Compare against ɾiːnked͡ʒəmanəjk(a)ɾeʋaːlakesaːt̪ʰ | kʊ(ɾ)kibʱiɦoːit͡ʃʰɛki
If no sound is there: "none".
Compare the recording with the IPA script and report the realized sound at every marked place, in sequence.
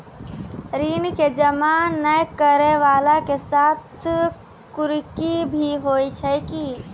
ə, ɾ

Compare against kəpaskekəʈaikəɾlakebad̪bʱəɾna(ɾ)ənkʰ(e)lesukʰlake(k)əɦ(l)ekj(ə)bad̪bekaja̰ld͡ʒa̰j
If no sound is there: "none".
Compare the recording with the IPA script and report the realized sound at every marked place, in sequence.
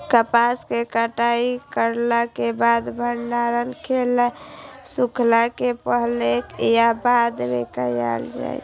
ɾ, e, p, l, a

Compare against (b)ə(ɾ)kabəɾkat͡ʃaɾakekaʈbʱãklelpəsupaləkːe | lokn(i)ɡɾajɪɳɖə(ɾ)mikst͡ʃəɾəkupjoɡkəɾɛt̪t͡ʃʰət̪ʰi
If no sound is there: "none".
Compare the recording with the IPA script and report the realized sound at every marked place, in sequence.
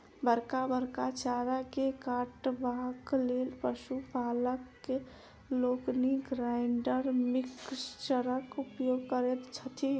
b, ɾ, i, ɾ

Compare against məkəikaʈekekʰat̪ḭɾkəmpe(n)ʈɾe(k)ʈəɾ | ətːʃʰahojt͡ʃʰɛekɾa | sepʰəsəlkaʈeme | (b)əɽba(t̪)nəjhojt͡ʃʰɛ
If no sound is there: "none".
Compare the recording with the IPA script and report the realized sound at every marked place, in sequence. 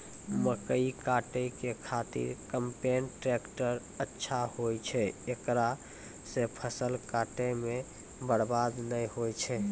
n, k, b, d̪

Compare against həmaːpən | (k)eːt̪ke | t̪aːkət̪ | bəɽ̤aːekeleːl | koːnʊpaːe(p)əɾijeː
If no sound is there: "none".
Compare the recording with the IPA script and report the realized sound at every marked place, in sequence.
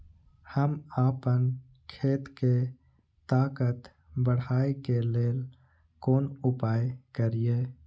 kʰ, k

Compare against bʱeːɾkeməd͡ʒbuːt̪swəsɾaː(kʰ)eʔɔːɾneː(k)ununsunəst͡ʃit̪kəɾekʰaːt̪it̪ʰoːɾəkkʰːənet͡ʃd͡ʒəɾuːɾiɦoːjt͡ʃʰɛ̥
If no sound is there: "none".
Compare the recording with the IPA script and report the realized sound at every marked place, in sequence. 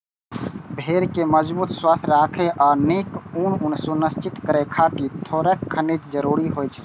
kʰ, k

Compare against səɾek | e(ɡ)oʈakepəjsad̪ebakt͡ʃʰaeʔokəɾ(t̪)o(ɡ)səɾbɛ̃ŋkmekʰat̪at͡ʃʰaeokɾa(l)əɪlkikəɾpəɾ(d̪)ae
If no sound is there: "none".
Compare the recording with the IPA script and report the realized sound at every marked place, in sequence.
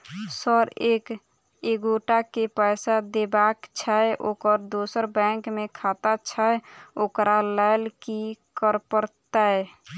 ɡ, d̪, none, l, t̪

